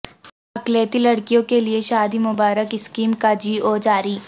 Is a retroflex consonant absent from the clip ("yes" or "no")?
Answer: no